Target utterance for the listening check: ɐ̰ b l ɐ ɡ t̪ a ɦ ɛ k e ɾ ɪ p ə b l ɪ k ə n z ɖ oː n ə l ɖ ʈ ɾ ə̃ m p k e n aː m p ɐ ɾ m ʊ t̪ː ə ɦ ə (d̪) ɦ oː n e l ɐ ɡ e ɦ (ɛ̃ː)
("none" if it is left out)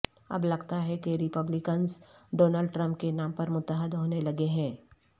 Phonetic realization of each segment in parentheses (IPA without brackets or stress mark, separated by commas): d̪, ɛ̃ː